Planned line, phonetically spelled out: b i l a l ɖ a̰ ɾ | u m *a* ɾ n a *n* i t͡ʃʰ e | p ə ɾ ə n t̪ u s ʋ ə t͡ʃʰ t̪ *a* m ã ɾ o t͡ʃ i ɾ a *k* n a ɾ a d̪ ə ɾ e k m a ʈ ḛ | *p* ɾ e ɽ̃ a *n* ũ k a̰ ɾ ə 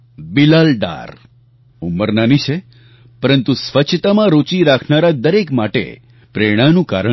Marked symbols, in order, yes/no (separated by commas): no, yes, yes, no, yes, yes